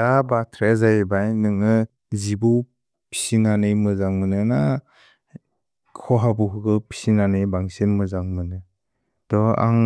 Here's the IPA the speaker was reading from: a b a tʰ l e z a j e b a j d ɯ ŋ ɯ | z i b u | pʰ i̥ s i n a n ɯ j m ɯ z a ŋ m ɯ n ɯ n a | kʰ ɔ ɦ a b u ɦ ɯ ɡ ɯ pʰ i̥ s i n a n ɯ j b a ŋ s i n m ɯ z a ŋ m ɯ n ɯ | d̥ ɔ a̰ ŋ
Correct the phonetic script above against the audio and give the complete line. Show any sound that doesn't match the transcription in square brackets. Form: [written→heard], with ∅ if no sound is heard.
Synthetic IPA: a b a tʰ [l→ɾ] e z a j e b a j [d→n] ɯ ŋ ɯ | z i b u | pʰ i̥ s i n a n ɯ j m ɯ z a ŋ m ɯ n ɯ n a | kʰ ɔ ɦ a b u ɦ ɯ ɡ ɯ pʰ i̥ s i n a n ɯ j b a ŋ s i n m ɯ z a ŋ m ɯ n ɯ | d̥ ɔ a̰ ŋ